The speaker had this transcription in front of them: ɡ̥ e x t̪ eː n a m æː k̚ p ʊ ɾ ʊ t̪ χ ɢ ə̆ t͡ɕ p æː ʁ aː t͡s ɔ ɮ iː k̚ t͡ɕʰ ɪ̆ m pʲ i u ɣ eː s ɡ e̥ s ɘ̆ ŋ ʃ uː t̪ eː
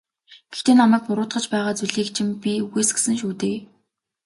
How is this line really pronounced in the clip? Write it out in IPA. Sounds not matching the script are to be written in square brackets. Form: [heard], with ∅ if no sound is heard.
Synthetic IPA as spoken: ɡ̥ e x t̪ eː n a m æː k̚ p ʊ ɾ [ʊː] t̪ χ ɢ ə̆ t͡ɕ p æː ʁ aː t͡s [u] ɮ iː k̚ t͡ɕʰ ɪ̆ m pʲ i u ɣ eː s ɡ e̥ s ɘ̆ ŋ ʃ uː t̪ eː